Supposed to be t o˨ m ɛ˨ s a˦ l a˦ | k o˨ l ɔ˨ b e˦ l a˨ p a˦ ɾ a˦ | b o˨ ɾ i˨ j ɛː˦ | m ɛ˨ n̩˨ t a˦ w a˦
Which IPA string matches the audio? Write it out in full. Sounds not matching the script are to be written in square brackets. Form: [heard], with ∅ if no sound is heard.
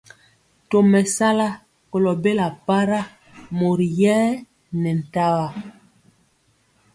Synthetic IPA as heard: t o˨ m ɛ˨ s a˦ l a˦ | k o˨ l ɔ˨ b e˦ l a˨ p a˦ ɾ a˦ | [m] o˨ ɾ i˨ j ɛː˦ | [n] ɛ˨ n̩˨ t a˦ w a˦